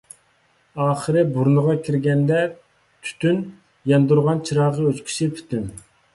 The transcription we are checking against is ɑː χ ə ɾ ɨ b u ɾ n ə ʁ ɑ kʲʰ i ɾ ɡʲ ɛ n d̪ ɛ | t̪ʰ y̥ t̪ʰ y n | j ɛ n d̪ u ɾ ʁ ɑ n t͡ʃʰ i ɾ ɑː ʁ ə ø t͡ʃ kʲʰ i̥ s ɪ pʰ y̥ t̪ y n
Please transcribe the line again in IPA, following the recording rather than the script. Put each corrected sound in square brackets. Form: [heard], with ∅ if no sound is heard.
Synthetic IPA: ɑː χ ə ɾ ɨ b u ɾ n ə ʁ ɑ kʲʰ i ɾ ɡʲ ɛ n d̪ ɛ | t̪ʰ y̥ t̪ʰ y n | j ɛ n d̪ u ɾ ʁ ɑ n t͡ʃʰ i ɾ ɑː ʁ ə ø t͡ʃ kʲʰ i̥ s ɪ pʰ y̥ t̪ y n